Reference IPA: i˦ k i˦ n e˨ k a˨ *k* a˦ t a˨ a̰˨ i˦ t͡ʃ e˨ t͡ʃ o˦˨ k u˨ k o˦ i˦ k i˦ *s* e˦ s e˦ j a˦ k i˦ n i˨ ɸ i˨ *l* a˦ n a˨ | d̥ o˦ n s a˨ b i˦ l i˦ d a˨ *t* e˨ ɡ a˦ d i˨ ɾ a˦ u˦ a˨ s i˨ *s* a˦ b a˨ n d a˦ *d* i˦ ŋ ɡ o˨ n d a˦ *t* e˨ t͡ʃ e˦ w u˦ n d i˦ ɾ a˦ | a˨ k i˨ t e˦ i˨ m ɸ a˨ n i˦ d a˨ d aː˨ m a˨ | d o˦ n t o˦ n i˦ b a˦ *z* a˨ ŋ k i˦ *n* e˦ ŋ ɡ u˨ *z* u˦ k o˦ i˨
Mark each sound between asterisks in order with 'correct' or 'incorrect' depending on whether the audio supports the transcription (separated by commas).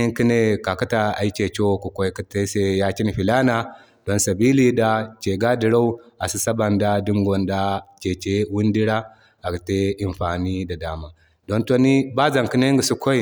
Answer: correct, incorrect, correct, incorrect, correct, correct, incorrect, correct, correct, incorrect